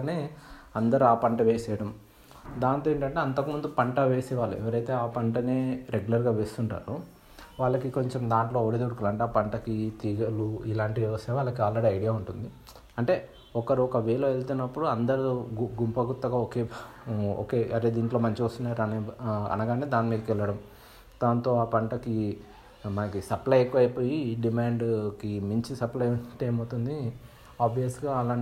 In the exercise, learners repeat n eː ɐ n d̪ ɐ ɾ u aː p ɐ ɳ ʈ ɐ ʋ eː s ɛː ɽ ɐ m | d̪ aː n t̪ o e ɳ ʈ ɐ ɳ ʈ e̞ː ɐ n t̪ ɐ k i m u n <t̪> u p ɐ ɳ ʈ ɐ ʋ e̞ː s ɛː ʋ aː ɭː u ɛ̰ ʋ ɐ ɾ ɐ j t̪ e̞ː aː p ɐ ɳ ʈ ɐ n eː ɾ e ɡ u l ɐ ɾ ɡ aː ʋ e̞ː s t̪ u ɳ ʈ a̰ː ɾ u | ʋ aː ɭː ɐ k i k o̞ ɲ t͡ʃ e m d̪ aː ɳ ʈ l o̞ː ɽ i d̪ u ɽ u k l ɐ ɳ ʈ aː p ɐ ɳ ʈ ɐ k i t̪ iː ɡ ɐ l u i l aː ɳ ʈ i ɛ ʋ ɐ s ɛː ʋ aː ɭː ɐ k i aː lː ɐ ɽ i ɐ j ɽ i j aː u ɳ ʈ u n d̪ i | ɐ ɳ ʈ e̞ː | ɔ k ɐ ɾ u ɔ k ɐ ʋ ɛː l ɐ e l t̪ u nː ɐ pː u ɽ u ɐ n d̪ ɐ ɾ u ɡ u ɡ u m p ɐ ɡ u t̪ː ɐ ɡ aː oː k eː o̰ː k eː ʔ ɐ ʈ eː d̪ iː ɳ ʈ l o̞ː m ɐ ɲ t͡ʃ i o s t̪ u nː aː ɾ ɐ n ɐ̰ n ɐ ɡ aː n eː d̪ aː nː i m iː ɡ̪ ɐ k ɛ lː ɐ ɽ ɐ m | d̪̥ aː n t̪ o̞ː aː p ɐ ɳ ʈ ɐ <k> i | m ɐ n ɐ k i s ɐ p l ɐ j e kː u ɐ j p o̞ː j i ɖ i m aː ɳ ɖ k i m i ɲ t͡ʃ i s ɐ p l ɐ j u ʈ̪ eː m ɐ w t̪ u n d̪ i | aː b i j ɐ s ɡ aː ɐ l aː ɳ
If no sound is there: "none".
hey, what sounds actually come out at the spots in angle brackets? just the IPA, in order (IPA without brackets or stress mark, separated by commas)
d̪, k